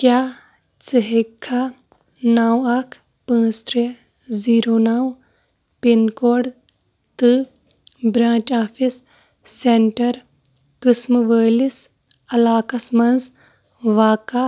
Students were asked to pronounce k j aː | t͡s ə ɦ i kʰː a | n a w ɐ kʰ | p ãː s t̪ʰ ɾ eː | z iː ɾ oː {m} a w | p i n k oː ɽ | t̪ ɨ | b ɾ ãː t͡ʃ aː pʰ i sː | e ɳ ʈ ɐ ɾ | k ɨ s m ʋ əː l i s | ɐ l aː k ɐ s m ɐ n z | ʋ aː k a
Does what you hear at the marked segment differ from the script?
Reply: yes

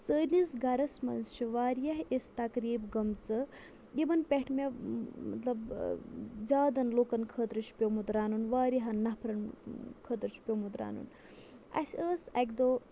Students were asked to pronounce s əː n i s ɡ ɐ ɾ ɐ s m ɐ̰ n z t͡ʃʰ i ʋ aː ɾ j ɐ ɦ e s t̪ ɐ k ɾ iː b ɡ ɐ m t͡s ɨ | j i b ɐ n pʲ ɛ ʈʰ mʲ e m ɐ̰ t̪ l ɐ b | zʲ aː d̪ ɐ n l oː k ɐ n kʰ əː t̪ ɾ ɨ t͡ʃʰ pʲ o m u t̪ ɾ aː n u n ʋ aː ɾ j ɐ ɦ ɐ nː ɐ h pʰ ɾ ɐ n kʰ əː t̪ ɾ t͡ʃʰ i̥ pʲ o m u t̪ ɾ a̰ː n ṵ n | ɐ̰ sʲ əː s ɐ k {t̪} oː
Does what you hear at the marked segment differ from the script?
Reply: yes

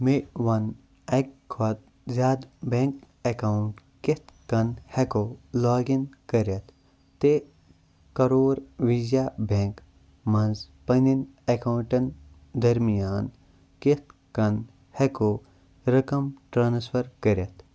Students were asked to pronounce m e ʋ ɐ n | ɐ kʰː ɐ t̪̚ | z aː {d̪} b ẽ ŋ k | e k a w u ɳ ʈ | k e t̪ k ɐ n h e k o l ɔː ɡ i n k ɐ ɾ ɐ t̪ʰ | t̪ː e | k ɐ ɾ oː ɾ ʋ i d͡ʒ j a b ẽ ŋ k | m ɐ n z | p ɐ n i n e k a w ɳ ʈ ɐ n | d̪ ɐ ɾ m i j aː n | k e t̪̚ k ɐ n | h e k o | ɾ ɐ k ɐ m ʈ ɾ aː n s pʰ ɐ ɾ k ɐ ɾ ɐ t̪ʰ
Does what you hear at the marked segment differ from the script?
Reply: no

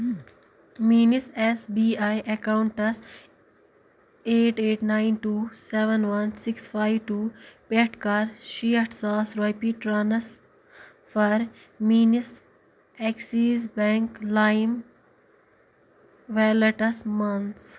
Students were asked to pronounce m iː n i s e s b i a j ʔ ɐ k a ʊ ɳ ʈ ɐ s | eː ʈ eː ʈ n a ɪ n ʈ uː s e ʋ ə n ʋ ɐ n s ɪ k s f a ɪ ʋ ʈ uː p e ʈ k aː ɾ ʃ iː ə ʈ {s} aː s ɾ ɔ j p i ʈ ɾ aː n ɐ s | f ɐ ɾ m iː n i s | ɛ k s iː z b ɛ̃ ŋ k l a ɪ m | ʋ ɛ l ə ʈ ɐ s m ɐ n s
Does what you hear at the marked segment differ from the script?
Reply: no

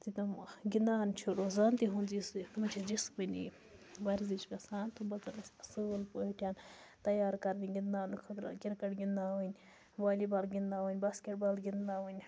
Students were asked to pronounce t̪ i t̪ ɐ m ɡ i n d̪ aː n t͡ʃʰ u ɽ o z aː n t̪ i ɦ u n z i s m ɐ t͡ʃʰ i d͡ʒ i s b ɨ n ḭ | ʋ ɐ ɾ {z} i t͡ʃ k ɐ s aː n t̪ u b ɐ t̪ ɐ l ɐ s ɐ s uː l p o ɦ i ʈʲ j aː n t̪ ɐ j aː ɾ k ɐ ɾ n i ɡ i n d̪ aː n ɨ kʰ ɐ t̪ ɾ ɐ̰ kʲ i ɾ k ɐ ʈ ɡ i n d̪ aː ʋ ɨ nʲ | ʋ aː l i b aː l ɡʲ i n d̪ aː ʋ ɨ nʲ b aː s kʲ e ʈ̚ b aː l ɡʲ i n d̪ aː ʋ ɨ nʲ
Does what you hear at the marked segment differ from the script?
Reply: no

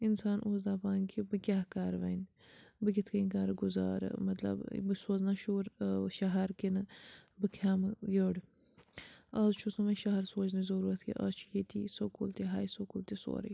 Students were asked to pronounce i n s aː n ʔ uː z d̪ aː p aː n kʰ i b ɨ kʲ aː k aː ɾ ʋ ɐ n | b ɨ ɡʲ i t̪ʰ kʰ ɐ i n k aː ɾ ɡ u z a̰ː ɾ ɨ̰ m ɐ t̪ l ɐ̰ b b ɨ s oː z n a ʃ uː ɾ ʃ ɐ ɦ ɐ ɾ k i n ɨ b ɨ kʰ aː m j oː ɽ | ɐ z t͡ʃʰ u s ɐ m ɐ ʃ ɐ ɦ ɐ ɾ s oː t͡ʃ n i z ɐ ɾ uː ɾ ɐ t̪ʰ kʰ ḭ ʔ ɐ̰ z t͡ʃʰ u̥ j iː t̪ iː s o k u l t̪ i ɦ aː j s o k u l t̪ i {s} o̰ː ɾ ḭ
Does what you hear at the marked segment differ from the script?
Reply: no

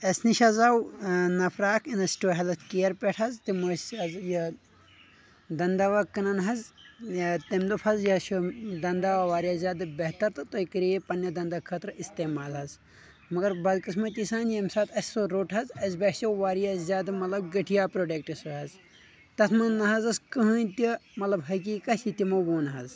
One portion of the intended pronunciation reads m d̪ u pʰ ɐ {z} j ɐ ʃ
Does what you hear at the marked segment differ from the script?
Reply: no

